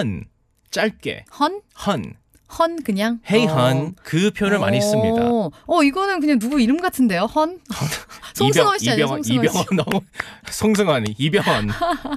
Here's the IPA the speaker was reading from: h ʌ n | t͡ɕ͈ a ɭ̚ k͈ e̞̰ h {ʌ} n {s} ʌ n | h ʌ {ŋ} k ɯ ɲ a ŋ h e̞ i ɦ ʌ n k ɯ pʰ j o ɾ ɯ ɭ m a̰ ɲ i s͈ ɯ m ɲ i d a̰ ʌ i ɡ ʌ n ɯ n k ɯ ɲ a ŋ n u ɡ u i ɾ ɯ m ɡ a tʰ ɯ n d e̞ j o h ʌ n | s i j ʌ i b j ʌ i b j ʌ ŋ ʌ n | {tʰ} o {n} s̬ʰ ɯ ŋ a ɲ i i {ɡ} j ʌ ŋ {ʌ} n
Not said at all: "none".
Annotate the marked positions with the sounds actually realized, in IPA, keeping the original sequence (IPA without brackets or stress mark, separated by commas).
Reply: ʌ, h, n, sʰ, ŋ, b, ʌ